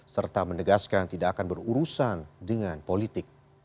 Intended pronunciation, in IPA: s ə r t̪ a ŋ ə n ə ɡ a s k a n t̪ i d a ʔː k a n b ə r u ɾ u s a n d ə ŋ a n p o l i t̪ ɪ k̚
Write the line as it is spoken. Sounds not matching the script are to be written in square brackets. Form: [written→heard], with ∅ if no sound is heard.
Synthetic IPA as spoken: s ə r t̪ a [ŋ→m] ə n ə ɡ a s k a n t̪ i d a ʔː k a n b ə r u ɾ u s a n d ə ŋ a n p o l i t̪ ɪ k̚